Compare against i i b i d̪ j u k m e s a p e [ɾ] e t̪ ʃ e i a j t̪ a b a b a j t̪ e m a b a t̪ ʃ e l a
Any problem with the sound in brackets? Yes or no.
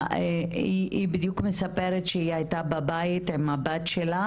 no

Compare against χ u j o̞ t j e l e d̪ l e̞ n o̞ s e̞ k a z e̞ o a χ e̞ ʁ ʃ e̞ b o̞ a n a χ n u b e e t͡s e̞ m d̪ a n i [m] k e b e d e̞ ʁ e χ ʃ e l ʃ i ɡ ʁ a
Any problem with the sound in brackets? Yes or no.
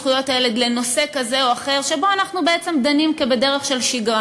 no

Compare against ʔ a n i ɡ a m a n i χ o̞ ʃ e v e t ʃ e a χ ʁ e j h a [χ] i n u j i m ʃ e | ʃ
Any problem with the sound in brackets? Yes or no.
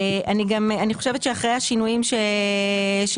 yes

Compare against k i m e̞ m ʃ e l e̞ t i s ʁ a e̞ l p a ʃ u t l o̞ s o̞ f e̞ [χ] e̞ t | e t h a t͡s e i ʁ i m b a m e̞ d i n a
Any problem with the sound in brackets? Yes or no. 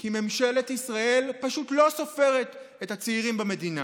yes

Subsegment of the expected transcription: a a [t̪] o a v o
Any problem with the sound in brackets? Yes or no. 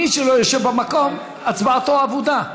no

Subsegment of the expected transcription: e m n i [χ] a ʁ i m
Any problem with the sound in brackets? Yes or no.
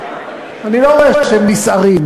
yes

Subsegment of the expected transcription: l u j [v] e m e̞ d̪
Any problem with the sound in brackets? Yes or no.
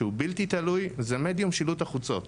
yes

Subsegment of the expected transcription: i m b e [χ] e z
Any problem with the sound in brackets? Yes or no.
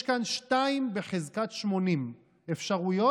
no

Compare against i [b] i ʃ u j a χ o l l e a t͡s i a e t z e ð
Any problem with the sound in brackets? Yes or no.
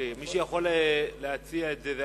yes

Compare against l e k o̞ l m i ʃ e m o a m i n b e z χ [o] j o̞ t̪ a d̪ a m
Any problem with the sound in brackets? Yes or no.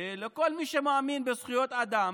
yes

